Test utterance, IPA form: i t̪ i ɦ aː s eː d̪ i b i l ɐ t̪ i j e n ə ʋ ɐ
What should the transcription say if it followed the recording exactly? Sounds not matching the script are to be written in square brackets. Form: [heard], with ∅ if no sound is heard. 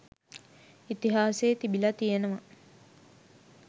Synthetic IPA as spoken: i t̪ i ɦ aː s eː [t̪] i b i l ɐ t̪ i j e n ə ʋ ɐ